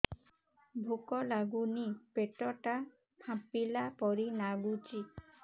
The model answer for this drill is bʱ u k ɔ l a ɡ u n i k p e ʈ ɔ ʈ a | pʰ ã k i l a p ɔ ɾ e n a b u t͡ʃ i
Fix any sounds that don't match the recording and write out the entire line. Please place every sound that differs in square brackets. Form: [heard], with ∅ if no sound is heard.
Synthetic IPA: bʱ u k ɔ l a ɡ u n i [∅] p e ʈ ɔ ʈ a | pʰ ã [p] i l a p ɔ ɾ [i] n a [ɡ] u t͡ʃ i